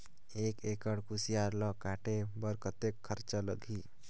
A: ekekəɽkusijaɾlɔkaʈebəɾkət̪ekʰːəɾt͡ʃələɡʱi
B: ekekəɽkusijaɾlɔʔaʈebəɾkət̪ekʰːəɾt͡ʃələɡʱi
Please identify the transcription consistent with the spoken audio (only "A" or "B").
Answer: A